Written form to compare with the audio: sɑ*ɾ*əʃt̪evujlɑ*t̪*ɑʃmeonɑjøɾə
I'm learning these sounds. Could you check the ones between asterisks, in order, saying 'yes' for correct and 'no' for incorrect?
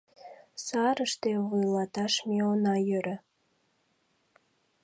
yes, yes

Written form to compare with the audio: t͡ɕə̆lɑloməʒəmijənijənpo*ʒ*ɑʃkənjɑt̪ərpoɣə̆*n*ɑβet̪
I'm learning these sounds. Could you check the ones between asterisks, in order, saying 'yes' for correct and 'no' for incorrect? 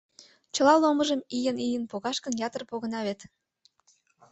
no, yes

